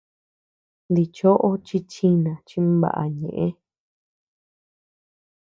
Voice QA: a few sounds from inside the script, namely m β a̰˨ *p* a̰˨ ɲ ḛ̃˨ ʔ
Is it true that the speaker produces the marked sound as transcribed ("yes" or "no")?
no